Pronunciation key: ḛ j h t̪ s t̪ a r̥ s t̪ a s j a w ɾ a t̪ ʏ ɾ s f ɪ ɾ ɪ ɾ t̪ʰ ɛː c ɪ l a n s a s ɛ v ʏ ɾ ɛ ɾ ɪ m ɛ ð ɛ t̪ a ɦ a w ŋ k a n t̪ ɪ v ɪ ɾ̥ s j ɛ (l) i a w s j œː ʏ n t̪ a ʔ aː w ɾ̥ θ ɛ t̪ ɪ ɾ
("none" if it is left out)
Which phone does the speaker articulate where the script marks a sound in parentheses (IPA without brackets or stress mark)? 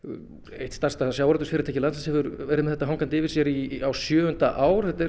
ɾ